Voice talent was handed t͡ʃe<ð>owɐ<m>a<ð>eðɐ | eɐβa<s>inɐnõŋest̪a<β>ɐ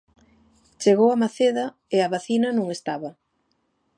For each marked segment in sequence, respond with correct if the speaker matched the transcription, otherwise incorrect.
incorrect, correct, incorrect, incorrect, correct

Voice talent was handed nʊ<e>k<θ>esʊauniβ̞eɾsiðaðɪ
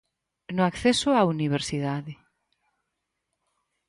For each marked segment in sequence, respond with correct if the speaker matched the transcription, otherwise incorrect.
incorrect, correct

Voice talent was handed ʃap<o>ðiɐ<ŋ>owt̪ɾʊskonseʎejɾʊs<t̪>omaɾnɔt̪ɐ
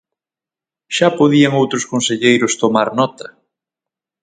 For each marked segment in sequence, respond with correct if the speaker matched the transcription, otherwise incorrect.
correct, correct, correct

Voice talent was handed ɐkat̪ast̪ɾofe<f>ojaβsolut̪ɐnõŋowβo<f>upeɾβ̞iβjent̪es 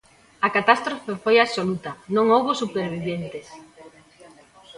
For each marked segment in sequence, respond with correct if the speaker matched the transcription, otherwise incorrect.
correct, incorrect

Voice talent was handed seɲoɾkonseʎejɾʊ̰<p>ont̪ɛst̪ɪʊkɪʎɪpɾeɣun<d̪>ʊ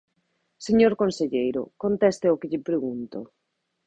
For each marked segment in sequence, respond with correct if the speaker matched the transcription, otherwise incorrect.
incorrect, incorrect

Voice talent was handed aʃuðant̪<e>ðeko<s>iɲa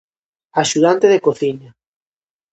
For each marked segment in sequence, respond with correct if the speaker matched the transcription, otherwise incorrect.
correct, incorrect

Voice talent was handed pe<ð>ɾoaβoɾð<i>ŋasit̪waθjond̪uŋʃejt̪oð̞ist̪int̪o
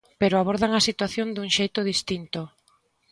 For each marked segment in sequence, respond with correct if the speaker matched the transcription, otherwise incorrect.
incorrect, incorrect

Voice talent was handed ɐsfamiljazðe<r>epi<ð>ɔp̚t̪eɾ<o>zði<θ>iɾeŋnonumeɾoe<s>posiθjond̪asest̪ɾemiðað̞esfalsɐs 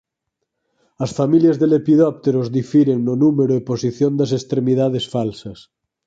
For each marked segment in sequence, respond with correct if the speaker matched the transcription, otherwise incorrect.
incorrect, correct, correct, incorrect, incorrect

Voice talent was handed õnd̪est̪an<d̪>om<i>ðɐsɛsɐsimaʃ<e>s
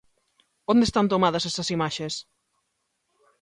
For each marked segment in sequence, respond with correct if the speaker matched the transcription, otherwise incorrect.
incorrect, incorrect, correct

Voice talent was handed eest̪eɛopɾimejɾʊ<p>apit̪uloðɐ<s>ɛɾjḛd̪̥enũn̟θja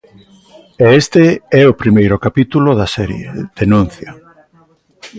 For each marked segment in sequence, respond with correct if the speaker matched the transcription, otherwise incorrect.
incorrect, correct

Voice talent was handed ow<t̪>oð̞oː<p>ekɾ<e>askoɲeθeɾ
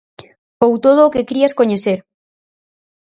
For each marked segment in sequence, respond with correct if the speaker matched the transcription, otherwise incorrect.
correct, incorrect, incorrect

